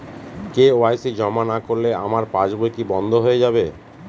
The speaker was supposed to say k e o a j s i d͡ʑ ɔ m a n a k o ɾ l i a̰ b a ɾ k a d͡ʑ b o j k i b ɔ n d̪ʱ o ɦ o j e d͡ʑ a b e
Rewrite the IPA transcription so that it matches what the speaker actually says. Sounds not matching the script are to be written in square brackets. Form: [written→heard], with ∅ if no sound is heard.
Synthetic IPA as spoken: k e o a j s i d͡ʑ ɔ m a n a k o ɾ l [i→e] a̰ [b→m] a ɾ [k→p] a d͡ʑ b o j k i b ɔ n d̪ʱ o ɦ o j e d͡ʑ a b e